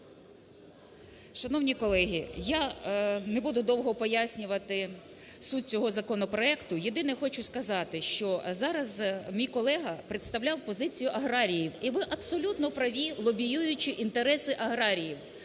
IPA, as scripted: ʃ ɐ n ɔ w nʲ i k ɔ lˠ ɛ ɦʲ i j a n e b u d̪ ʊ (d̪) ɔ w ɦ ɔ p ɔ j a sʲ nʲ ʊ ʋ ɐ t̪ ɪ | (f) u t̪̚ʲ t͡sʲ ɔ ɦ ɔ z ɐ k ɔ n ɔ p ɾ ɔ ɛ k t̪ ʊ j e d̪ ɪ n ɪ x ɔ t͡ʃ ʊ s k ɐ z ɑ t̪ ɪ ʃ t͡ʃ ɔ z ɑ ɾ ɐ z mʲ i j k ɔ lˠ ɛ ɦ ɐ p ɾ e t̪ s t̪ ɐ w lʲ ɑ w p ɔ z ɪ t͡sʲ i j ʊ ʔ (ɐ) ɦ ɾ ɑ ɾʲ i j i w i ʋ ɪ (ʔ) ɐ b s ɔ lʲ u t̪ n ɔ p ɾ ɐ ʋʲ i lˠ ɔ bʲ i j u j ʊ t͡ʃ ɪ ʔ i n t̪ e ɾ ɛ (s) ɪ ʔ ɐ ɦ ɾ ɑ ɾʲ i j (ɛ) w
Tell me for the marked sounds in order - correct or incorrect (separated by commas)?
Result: correct, incorrect, correct, correct, correct, incorrect